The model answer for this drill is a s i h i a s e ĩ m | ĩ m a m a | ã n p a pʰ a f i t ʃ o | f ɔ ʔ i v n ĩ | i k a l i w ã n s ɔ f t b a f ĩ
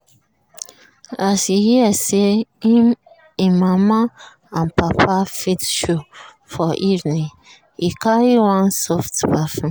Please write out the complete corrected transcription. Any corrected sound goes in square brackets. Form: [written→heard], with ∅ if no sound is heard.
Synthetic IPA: a s i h i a s e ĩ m | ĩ m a m a | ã n p a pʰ a f i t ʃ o | f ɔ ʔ i v n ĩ | i k a [l→ɹ] i w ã n s ɔ f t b a f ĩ